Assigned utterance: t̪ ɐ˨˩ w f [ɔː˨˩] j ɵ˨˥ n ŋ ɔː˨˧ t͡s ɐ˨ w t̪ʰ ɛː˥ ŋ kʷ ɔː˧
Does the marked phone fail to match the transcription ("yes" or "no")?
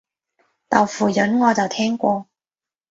yes